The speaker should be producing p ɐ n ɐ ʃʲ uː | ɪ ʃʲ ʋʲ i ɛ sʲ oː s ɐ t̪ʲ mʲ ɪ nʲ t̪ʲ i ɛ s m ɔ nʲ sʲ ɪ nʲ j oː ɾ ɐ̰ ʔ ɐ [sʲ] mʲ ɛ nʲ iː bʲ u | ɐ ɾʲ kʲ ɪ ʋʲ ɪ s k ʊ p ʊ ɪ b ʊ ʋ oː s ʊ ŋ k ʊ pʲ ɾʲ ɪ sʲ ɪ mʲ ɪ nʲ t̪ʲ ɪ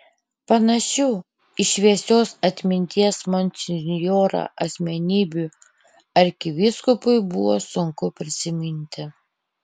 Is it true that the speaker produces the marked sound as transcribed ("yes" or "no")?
yes